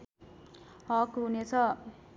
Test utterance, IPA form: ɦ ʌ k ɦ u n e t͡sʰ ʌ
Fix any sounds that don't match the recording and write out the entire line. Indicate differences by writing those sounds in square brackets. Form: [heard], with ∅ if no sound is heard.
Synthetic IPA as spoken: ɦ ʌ k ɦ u n e t͡sʰ ʌ